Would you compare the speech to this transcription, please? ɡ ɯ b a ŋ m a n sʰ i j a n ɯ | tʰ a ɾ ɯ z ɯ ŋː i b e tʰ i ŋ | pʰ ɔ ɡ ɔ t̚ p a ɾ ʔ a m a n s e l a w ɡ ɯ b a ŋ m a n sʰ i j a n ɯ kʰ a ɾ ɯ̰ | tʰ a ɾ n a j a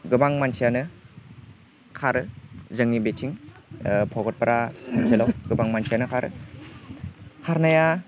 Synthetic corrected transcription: ɡ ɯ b a ŋ m a n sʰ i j a n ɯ | kʰ a ɾ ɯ z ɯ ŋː i b e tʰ i ŋ | pʰ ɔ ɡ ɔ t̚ p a ɾ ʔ a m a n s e l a w ɡ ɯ b a ŋ m a n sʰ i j a n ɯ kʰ a ɾ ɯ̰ | kʰ a ɾ n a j a